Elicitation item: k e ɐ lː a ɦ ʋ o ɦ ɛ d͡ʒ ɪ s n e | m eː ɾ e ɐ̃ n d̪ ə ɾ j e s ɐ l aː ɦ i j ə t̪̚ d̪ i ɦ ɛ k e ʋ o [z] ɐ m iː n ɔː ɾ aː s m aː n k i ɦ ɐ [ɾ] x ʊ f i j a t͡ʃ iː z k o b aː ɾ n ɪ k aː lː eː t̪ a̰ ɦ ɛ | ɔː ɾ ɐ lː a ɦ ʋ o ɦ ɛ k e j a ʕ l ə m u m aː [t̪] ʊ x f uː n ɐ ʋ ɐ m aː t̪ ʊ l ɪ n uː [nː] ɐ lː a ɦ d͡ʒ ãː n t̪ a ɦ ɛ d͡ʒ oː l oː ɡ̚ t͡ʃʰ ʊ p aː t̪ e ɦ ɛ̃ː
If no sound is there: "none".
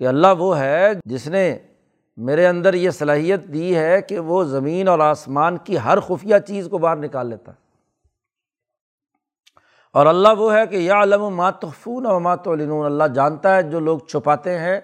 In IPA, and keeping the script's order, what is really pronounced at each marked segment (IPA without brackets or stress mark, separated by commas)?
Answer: z, ɾ, t̪, n